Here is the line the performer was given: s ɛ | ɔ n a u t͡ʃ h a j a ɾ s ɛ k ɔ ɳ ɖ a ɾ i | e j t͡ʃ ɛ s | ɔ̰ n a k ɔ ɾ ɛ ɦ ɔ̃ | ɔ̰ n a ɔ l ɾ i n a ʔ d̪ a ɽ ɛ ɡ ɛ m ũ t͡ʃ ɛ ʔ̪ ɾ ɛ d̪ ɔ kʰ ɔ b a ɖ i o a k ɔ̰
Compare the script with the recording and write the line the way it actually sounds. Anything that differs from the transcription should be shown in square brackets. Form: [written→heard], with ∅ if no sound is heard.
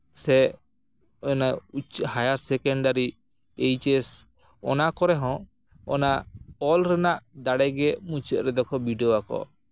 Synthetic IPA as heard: s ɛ | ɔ n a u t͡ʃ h a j a ɾ s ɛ k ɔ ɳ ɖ a ɾ i | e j t͡ʃ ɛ s | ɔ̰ n a k ɔ ɾ ɛ ɦ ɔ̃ | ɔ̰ n a ɔ l ɾ [i→ɛ] n a ʔ d̪ a ɽ ɛ ɡ ɛ m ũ t͡ʃ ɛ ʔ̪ ɾ ɛ d̪ ɔ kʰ ɔ b [a→i] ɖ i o a k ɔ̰